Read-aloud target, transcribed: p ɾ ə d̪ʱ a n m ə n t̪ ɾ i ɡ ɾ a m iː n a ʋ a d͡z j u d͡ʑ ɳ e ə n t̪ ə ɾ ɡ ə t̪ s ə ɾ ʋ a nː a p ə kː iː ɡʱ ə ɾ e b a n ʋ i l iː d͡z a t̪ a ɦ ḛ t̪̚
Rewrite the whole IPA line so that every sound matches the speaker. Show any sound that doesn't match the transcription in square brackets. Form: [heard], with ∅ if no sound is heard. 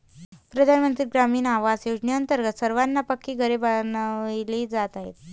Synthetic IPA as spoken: p ɾ ə d̪ʱ a n m ə n t̪ ɾ i ɡ ɾ a m iː n a ʋ a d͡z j [o] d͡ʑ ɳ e ə n t̪ ə ɾ ɡ ə t̪ s ə ɾ ʋ a nː a p ə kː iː ɡʱ ə ɾ e b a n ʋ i l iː d͡z a t̪ a ɦ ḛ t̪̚